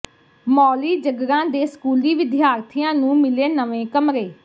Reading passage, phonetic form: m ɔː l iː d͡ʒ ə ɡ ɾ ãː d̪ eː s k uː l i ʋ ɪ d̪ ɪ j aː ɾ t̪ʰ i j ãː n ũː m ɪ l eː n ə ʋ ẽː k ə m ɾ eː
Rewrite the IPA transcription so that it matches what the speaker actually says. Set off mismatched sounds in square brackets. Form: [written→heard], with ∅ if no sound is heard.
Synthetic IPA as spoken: m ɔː l iː d͡ʒ ə ɡ ɾ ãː d̪ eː s k uː l [i→iː] ʋ ɪ d̪ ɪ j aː ɾ t̪ʰ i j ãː n ũː m ɪ l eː n ə ʋ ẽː k ə m ɾ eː